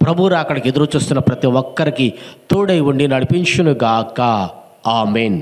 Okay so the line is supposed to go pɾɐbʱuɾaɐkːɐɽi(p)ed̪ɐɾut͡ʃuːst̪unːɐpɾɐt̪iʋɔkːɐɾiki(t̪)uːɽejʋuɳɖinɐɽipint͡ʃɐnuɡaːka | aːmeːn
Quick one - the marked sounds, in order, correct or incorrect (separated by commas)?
incorrect, correct